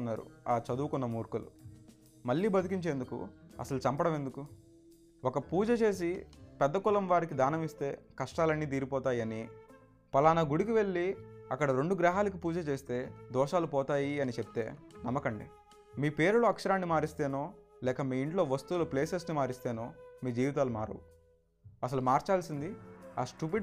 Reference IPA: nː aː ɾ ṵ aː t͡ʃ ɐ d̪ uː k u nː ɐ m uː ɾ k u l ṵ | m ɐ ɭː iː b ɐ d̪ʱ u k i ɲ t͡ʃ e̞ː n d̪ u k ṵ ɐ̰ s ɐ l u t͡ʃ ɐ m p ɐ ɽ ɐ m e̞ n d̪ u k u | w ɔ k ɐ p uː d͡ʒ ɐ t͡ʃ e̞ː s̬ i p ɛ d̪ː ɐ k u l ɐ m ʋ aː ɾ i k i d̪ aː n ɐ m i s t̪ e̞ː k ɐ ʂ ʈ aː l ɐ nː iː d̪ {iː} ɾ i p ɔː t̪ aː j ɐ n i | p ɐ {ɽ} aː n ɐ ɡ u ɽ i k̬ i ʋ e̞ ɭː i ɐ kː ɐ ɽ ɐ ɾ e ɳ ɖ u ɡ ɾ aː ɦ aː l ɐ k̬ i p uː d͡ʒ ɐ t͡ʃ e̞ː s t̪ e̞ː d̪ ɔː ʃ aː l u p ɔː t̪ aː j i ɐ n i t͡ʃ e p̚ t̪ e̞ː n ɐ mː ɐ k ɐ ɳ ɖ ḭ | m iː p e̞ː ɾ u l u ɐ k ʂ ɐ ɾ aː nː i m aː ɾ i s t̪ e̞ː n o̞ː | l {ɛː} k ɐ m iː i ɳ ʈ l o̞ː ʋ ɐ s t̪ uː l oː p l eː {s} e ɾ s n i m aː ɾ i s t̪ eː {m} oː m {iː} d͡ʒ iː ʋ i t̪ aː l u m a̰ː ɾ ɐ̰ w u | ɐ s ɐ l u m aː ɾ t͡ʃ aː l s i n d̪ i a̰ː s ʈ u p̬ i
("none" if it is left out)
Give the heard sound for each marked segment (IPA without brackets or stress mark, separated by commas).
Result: iː, l, ɛː, s, n, iː